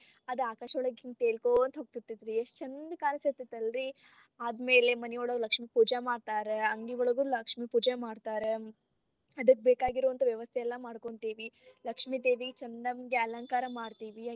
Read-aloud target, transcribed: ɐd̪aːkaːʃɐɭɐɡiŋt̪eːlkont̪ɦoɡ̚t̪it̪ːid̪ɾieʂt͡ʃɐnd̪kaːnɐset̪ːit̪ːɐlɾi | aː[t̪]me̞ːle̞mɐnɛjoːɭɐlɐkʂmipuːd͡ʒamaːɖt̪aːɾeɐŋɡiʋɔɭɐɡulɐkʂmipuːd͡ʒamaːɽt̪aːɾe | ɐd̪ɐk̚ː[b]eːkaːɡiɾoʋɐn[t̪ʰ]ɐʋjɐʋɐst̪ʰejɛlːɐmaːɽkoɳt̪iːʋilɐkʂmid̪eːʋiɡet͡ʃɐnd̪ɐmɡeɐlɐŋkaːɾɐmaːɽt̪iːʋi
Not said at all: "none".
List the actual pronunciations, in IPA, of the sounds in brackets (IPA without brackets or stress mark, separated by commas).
d̪, b, t̪